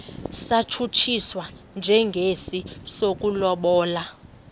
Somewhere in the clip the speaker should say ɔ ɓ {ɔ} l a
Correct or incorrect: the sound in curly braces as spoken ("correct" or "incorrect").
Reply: incorrect